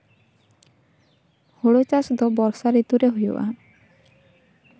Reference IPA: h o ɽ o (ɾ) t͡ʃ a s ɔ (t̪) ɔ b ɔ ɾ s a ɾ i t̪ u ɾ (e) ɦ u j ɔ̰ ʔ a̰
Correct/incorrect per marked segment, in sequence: incorrect: none, incorrect: d̪, correct

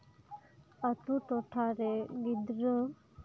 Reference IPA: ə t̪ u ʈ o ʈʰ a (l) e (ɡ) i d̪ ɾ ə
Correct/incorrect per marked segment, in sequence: incorrect: ɾ, correct

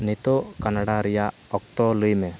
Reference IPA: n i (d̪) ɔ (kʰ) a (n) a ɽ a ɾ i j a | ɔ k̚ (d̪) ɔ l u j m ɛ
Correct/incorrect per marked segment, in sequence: incorrect: t̪, incorrect: k, correct, incorrect: t̪

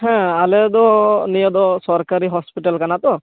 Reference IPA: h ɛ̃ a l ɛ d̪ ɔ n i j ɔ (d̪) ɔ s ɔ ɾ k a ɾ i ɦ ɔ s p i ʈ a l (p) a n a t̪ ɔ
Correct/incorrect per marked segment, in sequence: correct, incorrect: k

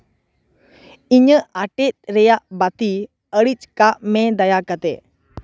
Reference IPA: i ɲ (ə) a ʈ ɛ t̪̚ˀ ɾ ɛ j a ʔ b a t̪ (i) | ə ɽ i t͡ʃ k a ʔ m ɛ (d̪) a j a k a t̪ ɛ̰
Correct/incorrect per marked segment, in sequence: correct, correct, correct

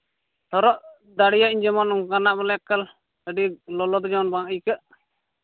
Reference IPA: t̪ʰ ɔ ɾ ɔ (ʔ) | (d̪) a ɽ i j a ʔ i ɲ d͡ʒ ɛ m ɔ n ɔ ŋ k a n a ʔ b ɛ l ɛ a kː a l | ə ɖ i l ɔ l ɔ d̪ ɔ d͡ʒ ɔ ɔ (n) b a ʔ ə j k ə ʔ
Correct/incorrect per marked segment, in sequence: correct, correct, correct

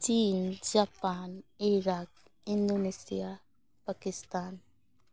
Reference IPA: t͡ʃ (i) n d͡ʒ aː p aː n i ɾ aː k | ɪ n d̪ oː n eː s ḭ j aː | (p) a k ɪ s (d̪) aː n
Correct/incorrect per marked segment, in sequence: incorrect: iː, correct, incorrect: t̪

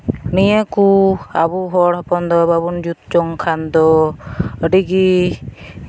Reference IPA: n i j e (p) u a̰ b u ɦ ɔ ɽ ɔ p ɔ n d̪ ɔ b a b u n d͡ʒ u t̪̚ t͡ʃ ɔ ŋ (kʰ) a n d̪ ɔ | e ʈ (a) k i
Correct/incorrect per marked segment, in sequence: incorrect: k, correct, incorrect: i

